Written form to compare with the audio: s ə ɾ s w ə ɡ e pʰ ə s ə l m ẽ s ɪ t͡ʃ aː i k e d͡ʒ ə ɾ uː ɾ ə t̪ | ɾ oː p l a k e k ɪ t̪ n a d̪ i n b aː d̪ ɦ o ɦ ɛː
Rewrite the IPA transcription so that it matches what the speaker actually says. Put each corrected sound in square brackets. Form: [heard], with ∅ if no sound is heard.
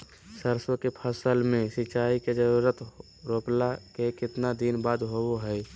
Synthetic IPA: s ə ɾ s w ə [k] e pʰ ə s ə l m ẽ s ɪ t͡ʃ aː i k e d͡ʒ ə ɾ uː ɾ ə t̪ | ɾ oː p l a k e k ɪ t̪ n a d̪ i n b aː d̪ ɦ o ɦ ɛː